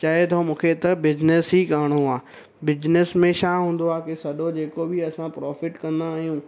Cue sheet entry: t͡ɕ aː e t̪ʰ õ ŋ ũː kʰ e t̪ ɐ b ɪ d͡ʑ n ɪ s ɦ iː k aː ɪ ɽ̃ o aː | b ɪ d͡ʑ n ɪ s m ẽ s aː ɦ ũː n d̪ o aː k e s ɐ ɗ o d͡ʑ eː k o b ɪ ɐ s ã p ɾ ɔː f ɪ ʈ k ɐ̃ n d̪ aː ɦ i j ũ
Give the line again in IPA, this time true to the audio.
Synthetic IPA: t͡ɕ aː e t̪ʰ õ m ũː kʰ e t̪ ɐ b ɪ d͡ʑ n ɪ s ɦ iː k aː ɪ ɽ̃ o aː | b ɪ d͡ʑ n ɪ s m ẽ ʃ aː ɦ ũː n d̪ o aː k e s ɐ ɗ o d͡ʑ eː k o b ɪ ɐ s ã p ɾ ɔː f ɪ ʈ k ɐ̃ n d̪ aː ɦ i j ũ